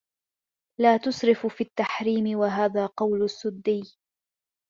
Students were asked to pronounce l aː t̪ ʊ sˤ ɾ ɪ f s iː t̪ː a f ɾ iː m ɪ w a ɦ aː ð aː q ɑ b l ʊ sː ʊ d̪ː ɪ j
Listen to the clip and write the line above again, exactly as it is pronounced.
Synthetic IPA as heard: l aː t̪ ʊ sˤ ɾ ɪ f f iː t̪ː a ħ ɾ iː m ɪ w a ɦ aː ð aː q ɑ w l ʊ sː ʊ d̪ː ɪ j